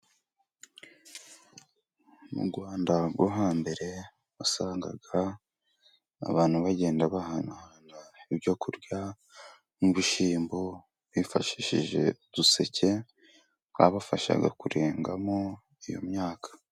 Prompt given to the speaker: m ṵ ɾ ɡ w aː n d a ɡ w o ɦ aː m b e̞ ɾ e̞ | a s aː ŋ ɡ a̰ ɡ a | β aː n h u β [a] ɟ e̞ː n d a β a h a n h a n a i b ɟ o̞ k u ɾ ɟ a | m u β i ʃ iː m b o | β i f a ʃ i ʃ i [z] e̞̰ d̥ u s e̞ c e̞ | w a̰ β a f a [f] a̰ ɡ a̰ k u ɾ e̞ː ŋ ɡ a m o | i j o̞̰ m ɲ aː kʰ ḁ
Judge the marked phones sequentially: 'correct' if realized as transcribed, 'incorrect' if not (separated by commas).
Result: correct, incorrect, incorrect